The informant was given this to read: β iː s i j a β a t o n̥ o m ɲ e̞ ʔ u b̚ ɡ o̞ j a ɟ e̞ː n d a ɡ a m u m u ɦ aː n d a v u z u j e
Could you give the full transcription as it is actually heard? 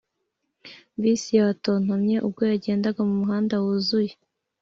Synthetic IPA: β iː s i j a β a t o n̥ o m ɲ e̞ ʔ u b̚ ɡ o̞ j a ɟ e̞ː n d a ɡ a m u m u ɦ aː n d a w u z u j e

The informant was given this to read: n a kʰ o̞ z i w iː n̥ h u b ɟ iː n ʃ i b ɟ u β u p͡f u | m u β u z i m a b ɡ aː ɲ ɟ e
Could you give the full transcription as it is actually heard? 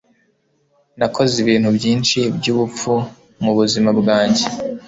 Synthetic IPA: n a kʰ o̞ z i β iː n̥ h u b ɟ iː n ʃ i b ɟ u β u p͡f u | m u β u z i m a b ɡ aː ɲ ɟ e

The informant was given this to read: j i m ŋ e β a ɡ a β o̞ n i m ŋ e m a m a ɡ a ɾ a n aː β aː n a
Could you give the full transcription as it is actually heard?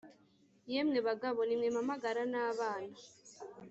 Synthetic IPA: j e m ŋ e β a ɡ a β o̞ n i m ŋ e m a m a ɡ a ɾ a n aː β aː n a

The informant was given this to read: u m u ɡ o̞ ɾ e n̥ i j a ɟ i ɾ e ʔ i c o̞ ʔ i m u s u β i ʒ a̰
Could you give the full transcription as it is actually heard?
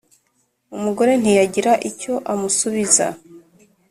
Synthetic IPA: u m u ɡ o̞ ɾ e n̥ i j a ɟ i ɾ a ʔ i c o̞ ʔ a m u s u β i z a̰

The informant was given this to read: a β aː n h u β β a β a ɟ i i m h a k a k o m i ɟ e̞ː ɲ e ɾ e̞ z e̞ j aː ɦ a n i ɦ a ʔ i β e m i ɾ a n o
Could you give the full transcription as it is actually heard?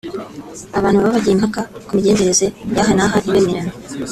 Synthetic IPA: a β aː n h u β β a β a ɟ i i m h a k a k u m i ɟ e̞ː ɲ e ɾ e̞ z e̞ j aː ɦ a n a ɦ a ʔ i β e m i ɾ a n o

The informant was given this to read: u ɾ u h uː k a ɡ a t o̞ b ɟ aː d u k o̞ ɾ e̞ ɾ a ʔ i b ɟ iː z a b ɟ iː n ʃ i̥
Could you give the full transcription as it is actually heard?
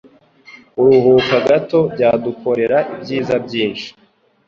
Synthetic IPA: u ɾ u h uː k a ɡ a t o̞ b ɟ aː d u k o̞ ɾ e̞ ɾ a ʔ i b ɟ iː z a b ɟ iː n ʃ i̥

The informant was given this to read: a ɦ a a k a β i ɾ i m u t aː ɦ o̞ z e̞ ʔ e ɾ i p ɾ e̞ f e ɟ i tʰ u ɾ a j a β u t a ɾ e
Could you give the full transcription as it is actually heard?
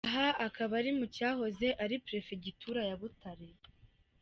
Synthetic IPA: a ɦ a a k a β a ɾ i m u c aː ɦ o̞ z e̞ ʔ a ɾ i p ɾ e̞ f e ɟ i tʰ u ɾ a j a β u t a ɾ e

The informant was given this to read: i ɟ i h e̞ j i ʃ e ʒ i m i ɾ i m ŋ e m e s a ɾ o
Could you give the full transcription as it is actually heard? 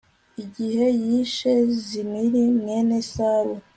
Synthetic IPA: i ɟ i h e̞ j i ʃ e z i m i ɾ i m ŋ e n e s a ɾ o

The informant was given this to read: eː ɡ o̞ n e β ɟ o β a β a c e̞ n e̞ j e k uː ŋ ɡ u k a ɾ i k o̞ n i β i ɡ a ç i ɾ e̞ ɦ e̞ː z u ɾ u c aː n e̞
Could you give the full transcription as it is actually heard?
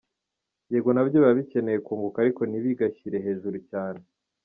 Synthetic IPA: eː ɡ o̞ n a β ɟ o β a β i c e̞ n e̞ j e k uː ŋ ɡ u k a ɾ i k o̞ n i β i ɡ a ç i ɾ e̞ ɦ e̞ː ʒ u ɾ u c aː n e̞

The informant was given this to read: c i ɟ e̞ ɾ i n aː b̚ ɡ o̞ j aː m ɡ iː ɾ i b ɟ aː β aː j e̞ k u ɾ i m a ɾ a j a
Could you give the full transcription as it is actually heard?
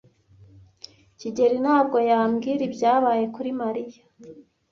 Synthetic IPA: c i ɟ e̞ ɾ i n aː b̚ ɡ o̞ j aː m ɡ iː ɾ i b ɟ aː β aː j e̞ k u ɾ i m a ɾ i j a

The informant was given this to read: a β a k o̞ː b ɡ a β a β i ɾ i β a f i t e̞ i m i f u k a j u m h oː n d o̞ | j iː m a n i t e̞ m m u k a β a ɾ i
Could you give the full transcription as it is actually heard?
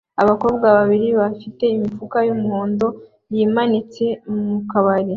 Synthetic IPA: a β a k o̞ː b ɡ a β a β i ɾ i β a f i t e̞ i m i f u k a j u m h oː n d o̞ | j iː m a n i t͡s e̞ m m u k a β a ɾ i

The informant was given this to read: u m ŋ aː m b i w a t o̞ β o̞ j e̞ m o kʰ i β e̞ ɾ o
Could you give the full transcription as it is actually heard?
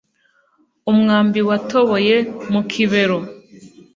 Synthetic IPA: u m ŋ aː m b i w a t o̞ β o̞ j e̞ m u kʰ i β e̞ ɾ o

